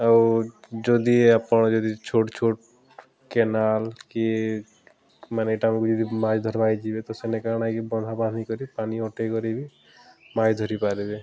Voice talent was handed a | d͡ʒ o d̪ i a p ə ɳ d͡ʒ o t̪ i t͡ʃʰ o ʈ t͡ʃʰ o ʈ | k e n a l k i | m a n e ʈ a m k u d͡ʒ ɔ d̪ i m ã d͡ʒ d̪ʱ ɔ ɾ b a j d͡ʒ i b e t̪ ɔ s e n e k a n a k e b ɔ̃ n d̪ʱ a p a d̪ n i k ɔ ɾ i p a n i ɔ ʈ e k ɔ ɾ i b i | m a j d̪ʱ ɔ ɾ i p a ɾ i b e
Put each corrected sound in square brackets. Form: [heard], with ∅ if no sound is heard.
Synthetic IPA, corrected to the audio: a | d͡ʒ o d̪ i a p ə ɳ d͡ʒ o [d̪] i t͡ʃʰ o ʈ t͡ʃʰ o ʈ | k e n a l k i | m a n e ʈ a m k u d͡ʒ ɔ d̪ i m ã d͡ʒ d̪ʱ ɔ ɾ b a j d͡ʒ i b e t̪ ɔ s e n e k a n a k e b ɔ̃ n d̪ʱ a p a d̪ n i k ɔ ɾ i p a n i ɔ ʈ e k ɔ ɾ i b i | m a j d̪ʱ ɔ ɾ i p a ɾ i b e